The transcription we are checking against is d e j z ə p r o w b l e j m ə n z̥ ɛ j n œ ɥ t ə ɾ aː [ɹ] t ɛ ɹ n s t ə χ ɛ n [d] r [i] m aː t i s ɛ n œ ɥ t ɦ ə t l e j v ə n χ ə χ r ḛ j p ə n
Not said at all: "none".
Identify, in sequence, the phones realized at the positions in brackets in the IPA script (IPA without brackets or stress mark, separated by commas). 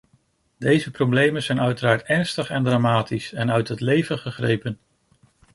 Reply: ɹ, d, a